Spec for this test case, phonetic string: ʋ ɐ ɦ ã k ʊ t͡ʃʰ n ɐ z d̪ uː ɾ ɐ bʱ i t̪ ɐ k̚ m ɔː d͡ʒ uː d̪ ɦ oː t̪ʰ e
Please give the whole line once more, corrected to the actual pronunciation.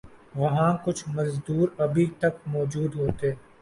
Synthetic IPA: ʋ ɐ ɦ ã k ʊ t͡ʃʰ m ɐ z d̪ uː ɾ ɐ bʱ i t̪ ɐ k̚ m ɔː d͡ʒ uː d̪ ɦ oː t̪ e